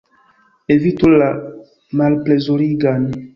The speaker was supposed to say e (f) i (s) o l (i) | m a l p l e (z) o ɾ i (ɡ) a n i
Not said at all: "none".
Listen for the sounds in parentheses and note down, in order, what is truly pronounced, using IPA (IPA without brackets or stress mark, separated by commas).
v, t, a, z, ɡ